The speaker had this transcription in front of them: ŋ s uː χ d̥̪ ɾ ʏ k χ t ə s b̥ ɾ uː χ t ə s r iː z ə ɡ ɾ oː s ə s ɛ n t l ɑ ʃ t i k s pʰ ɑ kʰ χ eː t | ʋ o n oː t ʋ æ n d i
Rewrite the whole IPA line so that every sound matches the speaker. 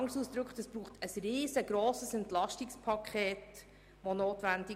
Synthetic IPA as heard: ŋ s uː s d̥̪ ɾ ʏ k χ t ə s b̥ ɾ uː χ t ə s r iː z ə ɡ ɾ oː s ə s ɛ n t l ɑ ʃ t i k s pʰ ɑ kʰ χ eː t | ʋ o n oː t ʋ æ n d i